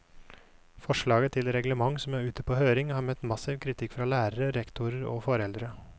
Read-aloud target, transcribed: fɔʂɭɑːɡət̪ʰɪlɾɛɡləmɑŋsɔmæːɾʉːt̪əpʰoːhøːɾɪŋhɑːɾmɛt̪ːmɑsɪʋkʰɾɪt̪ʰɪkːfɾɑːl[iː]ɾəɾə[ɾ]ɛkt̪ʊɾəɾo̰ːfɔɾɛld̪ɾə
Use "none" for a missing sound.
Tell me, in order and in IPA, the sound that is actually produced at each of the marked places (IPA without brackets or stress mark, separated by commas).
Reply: æː, ɾ